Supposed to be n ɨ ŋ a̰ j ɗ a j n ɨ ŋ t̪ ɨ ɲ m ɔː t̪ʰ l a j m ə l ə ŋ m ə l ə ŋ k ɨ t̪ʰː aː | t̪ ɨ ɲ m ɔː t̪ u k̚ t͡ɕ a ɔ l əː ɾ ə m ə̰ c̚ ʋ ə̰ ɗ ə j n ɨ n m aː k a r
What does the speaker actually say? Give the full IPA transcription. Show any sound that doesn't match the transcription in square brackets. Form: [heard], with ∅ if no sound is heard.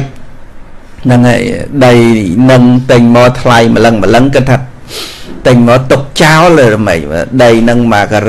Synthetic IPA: n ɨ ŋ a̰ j ɗ [ə] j n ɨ ŋ t̪ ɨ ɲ m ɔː t̪ʰ l a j m ə l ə ŋ m ə l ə ŋ k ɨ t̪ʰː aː | t̪ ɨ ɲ m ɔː t̪ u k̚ t͡ɕ a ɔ l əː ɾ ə m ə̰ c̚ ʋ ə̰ ɗ ə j n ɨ [ŋ] m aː k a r